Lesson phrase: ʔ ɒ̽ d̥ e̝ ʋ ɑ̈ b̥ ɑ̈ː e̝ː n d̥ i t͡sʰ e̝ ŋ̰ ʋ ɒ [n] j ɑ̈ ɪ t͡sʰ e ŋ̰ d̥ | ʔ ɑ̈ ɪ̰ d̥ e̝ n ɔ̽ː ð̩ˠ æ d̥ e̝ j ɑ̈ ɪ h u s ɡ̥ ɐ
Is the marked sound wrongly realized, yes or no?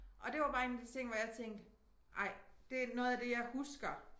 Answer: yes